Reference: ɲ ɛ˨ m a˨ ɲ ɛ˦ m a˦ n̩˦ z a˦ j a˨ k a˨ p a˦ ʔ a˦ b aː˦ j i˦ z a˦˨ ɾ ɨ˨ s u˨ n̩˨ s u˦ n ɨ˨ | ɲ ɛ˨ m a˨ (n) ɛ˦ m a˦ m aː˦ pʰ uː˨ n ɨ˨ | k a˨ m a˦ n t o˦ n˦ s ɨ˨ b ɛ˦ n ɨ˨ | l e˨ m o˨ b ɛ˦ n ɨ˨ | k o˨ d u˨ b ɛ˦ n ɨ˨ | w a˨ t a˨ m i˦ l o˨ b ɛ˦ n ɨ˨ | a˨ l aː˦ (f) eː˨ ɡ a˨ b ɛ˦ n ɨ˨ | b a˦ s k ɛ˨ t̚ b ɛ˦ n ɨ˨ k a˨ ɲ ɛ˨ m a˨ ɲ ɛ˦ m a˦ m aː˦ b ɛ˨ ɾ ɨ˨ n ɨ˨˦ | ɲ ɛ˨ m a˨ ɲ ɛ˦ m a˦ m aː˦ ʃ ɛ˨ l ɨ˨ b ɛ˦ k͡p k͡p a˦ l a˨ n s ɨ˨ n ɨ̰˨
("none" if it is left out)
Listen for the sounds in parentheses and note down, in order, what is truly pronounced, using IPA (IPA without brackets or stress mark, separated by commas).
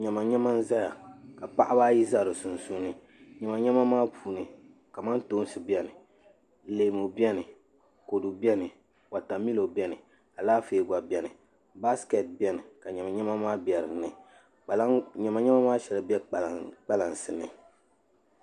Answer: ɲ, f